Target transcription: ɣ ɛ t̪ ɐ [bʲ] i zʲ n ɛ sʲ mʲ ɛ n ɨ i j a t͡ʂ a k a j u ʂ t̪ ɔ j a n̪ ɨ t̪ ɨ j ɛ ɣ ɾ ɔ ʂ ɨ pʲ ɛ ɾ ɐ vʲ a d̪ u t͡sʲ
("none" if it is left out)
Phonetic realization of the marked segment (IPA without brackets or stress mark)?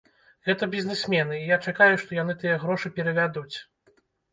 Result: bʲ